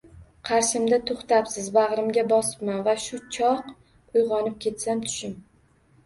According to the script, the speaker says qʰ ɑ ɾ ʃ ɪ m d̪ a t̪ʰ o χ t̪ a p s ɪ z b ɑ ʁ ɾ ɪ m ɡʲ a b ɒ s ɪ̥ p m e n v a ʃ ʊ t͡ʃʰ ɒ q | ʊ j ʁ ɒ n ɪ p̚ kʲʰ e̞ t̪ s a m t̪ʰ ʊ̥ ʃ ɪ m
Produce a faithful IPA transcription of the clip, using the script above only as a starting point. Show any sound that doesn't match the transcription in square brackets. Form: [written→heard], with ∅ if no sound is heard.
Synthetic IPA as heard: qʰ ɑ ɾ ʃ ɪ m d̪ a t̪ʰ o χ t̪ a p s ɪ z b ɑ ʁ ɾ ɪ m ɡʲ a b ɒ s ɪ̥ p m [e→a] n v a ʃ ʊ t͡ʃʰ ɒ q | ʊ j ʁ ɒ n ɪ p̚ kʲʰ e̞ t̪ s a m t̪ʰ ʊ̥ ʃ ɪ m